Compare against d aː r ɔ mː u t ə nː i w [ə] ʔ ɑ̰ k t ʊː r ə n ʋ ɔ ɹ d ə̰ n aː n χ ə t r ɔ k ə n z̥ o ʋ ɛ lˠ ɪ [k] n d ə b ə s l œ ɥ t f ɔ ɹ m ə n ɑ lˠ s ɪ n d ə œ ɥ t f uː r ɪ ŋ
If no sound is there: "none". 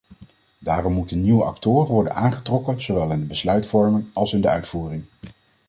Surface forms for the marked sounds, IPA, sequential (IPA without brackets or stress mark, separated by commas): ə, none